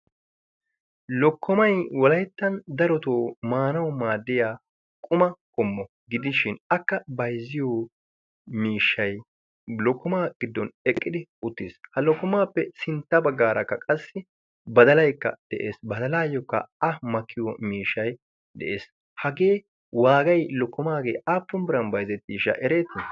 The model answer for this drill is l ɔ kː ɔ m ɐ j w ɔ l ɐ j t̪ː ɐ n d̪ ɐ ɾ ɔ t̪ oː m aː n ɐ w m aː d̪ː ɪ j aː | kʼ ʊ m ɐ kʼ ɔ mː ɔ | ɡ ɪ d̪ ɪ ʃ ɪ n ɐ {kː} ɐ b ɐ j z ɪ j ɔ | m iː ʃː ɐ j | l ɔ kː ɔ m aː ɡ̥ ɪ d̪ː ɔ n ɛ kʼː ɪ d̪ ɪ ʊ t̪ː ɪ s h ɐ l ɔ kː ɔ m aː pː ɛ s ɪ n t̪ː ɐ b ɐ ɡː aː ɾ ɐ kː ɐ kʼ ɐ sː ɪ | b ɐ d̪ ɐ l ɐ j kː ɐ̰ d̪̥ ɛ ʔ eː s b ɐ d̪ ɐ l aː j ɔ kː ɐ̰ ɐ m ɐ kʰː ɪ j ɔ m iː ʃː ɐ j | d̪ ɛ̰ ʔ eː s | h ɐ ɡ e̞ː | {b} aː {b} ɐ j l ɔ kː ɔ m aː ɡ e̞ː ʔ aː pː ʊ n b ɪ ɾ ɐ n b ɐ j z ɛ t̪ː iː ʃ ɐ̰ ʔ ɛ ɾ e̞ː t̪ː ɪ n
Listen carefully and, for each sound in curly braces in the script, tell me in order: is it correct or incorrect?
correct, incorrect, incorrect

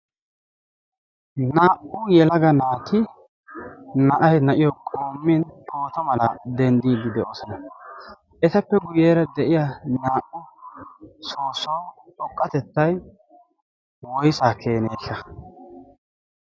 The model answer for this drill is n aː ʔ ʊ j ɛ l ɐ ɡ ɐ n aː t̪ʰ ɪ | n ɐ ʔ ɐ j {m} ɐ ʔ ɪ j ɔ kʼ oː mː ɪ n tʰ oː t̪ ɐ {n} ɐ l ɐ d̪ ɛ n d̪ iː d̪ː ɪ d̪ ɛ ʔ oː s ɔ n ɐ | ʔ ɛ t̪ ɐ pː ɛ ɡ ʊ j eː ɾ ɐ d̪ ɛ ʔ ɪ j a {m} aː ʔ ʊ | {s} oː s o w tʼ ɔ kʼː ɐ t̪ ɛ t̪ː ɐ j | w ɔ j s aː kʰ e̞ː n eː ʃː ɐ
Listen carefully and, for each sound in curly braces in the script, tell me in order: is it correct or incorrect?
incorrect, incorrect, incorrect, correct

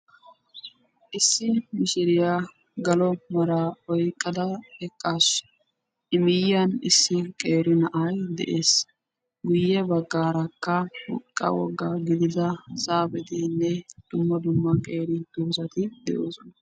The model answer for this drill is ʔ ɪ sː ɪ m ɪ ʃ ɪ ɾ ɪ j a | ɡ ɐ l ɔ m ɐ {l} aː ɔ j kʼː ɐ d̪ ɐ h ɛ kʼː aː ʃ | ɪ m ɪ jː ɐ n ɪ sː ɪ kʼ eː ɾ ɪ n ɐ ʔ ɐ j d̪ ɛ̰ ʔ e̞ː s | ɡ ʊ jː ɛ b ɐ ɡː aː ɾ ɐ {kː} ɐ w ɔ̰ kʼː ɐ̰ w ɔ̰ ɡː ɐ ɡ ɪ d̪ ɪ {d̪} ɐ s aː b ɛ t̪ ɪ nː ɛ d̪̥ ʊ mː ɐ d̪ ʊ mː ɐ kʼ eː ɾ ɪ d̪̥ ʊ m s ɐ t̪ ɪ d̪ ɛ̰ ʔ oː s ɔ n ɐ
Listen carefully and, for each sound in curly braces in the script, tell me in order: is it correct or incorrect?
incorrect, correct, correct

